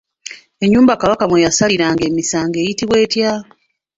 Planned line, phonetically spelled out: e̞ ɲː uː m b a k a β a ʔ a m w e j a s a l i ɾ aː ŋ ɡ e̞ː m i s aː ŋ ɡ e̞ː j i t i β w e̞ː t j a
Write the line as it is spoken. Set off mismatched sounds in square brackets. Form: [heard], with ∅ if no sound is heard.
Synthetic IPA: e̞ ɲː uː m b a k a β a [k] a m w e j a s a l i ɾ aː ŋ ɡ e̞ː m i s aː ŋ ɡ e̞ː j i t i β w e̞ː t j a